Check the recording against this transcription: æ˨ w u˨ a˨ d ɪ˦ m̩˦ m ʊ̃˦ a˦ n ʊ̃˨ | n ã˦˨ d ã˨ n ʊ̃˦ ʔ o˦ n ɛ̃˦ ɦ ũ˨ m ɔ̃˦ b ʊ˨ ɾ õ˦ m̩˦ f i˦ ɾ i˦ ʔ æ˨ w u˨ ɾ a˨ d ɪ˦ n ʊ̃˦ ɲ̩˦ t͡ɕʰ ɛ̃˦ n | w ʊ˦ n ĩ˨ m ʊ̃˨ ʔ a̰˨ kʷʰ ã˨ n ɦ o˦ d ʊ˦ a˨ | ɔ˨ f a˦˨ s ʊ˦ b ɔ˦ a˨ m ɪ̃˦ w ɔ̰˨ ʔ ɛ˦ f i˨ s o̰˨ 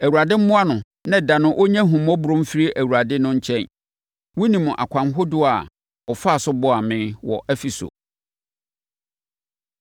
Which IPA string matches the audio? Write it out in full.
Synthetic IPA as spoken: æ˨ w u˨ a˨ d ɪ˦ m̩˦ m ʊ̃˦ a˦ n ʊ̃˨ | n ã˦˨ d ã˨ n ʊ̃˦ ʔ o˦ ɲ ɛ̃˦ ɦ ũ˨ m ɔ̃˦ b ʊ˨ ɾ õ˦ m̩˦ f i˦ ɾ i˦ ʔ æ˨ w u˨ ɾ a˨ d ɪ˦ n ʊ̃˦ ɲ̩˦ t͡ɕʰ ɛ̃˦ n | w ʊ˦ n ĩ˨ m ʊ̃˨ ʔ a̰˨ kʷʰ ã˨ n ɦ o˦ d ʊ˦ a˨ | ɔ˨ f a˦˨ s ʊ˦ b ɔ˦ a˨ m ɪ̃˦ w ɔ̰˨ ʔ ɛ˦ f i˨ s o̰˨

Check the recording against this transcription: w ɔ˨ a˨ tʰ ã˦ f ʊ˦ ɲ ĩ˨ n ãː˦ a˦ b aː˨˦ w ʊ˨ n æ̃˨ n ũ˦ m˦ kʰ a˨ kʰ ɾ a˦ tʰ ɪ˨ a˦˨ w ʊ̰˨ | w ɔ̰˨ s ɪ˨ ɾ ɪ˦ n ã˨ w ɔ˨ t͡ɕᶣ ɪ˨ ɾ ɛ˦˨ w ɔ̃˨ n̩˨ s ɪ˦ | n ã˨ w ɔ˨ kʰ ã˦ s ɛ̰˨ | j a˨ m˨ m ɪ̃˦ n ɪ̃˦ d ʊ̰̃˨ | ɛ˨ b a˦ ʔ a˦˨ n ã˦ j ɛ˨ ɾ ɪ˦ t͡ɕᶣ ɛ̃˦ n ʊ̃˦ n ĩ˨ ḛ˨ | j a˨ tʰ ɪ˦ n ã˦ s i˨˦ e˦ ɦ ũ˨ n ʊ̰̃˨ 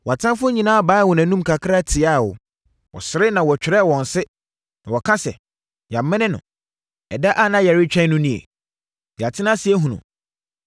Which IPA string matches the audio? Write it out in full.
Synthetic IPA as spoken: w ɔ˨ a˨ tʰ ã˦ f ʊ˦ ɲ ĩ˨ n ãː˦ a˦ b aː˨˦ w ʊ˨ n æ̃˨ n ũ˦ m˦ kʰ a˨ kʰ ɾ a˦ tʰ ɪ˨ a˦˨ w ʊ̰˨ | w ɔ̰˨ s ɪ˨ ɾ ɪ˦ n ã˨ w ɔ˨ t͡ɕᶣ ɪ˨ ɾ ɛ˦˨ w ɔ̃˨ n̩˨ s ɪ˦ | n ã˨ w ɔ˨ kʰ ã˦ s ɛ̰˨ | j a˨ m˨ m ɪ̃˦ n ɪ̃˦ n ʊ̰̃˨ | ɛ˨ d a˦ ʔ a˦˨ n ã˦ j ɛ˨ ɾ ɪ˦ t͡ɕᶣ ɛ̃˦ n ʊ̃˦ n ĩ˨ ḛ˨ | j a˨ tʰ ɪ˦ n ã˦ s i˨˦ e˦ ɦ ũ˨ n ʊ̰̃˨

